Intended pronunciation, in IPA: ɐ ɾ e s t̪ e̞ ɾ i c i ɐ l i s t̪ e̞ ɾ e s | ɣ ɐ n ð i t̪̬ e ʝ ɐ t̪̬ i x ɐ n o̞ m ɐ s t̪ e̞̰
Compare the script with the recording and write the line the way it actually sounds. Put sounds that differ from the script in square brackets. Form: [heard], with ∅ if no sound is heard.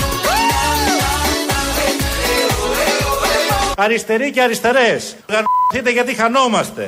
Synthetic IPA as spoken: ɐ ɾ [i] s t̪ e̞ ɾ i c [e] ɐ [ɾ] i s t̪ e̞ ɾ e s | ɣ ɐ n [θ] i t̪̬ e ʝ ɐ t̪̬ i x ɐ n o̞ m ɐ s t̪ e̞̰